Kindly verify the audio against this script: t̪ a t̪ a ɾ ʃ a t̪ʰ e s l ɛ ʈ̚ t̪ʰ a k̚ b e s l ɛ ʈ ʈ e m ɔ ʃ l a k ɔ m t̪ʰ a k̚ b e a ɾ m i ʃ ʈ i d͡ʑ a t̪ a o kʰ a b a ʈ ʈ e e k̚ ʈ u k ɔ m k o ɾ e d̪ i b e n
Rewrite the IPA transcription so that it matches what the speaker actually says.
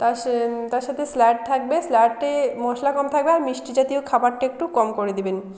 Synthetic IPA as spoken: t̪ a t̪ a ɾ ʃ a t̪ʰ e s l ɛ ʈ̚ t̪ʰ a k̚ b e s l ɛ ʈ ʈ e m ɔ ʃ l a k ɔ m t̪ʰ a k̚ b e a ɾ m i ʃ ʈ i d͡ʑ a t̪ i o kʰ a b a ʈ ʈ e e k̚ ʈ u k ɔ m k o ɾ e d̪ i b e n